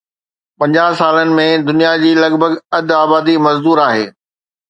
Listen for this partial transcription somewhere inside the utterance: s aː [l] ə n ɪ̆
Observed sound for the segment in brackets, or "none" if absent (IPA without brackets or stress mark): l